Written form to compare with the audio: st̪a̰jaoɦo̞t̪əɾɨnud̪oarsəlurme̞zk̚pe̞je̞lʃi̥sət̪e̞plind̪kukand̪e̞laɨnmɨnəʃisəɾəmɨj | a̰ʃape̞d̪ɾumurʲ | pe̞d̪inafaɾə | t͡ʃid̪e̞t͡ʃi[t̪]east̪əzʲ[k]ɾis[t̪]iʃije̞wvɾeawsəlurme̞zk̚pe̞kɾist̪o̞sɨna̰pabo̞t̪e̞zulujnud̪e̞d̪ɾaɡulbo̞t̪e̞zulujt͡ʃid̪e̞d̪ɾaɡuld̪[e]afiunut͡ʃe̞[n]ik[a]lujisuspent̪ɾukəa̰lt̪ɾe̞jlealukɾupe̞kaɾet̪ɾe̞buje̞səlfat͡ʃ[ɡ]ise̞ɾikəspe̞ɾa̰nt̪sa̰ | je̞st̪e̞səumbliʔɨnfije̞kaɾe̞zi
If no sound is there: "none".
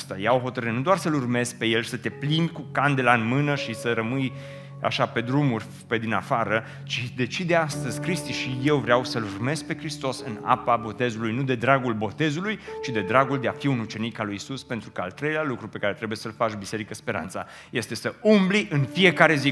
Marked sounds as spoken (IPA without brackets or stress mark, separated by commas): d̪, k, t̪, e, n, a, b